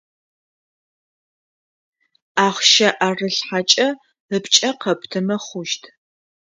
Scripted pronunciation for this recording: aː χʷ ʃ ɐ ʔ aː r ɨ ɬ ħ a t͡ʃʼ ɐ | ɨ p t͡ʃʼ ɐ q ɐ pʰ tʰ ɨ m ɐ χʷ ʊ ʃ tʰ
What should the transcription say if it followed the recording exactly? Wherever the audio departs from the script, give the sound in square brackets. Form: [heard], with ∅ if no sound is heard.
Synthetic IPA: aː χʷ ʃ ɐ ʔ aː r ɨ ɬ ħ a t͡ʃʼ ɐ | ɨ p t͡ʃʼ ɐ q ɐ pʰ tʰ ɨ m ɐ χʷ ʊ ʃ tʰ